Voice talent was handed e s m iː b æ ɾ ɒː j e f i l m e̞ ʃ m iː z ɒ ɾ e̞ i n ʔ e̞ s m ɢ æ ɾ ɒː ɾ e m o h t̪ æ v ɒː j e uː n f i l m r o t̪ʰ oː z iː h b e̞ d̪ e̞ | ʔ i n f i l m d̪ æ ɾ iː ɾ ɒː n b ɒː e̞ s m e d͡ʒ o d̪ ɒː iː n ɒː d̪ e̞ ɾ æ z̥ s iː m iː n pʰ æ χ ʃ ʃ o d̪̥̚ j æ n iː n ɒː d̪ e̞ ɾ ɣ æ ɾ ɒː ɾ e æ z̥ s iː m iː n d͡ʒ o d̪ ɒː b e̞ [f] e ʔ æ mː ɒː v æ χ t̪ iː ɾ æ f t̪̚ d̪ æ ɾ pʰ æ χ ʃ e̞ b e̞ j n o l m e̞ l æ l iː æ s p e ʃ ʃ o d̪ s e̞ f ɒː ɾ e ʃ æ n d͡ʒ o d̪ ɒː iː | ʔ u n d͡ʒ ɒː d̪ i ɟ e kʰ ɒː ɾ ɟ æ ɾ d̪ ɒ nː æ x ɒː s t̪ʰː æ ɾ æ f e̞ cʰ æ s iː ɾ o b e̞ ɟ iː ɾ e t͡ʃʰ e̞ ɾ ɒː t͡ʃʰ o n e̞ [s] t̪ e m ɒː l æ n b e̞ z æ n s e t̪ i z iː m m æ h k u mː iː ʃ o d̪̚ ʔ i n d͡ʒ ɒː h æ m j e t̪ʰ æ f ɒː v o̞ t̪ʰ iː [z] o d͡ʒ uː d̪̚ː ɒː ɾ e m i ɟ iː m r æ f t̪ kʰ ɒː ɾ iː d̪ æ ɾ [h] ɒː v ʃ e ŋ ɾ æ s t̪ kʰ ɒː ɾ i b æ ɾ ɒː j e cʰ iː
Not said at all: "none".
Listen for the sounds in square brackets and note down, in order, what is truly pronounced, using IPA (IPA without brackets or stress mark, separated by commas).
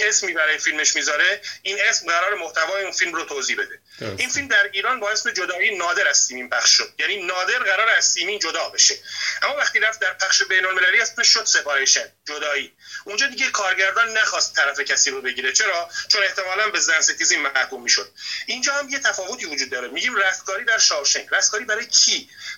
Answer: ʃ, h, v, ʃ